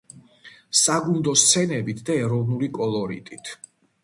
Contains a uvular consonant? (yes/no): no